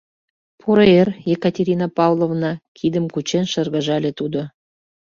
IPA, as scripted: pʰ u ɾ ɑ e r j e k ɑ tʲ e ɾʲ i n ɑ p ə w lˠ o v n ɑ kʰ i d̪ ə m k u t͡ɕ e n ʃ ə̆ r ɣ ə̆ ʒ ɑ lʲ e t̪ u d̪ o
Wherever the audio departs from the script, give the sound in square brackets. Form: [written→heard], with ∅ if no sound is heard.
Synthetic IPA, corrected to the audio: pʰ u ɾ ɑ e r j e k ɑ tʲ e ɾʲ i n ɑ p [ə→ɑ] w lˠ o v n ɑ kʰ i d̪ ə m k u t͡ɕ e n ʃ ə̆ r ɣ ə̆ ʒ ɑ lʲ e t̪ u d̪ o